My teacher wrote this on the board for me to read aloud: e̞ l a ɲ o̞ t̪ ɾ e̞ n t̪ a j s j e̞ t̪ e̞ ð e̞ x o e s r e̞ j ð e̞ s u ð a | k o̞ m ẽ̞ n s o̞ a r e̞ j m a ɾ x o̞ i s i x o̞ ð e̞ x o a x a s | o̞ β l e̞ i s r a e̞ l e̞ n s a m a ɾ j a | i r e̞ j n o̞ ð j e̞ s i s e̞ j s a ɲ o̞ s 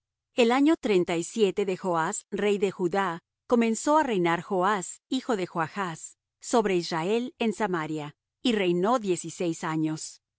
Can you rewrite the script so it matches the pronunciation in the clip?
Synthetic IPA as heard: e̞ l a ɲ o̞ t̪ ɾ e̞ n t̪ a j s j e̞ t̪ e̞ ð e̞ x o a s r e̞ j ð e̞ x u ð a | k o̞ m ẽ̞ n s o̞ a r e̞ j n a ɾ x o̞ a s i x o̞ ð e̞ x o a x a sː | o̞ β ɾ e̞ i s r a e̞ l e̞ n s a m a ɾ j a | i r e̞ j n o̞ ð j e̞ s i s e̞ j s a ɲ o̞ s